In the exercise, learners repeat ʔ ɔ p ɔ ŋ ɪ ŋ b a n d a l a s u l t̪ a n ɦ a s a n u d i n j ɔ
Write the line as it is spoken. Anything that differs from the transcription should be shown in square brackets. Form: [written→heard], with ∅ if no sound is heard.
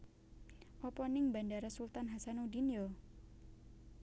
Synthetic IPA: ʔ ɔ p ɔ [ŋ→n] ɪ ŋ b a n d a [l→ɾ] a s u l t̪ a n ɦ a s a n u d i n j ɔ